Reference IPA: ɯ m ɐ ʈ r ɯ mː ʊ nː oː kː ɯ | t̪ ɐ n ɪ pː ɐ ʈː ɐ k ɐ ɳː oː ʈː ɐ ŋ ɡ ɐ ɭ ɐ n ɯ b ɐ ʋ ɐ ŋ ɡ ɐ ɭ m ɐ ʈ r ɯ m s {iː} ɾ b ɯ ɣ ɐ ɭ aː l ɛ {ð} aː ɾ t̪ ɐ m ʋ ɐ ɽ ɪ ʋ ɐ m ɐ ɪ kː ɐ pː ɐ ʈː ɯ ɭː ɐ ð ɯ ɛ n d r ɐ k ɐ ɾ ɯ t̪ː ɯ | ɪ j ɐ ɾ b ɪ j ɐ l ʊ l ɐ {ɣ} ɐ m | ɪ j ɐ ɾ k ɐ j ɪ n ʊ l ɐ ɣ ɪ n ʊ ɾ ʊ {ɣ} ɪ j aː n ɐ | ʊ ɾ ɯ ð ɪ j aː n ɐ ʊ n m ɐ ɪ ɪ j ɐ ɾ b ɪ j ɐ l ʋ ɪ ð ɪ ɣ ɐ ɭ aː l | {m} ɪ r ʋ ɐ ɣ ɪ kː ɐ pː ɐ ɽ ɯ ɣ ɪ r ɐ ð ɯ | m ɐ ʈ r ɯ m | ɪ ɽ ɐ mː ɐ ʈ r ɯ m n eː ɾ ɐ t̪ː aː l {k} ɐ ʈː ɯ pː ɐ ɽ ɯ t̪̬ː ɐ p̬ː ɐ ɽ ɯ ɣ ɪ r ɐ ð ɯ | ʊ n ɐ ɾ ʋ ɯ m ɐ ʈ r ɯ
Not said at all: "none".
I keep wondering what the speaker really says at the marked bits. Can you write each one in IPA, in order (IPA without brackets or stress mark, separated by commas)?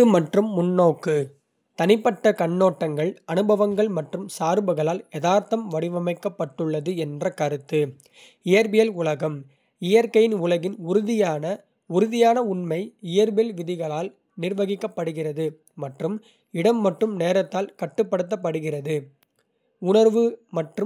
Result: aː, ð, ɣ, ð, n, k